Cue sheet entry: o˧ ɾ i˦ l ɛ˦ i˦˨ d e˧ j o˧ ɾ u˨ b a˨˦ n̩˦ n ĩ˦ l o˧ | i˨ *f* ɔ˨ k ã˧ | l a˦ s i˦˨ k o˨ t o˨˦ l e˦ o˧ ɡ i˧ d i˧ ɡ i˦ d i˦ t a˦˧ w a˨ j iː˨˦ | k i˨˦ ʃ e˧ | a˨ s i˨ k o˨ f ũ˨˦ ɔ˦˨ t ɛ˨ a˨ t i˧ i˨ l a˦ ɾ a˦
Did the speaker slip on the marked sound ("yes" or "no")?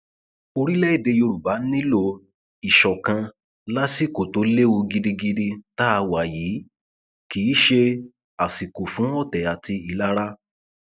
yes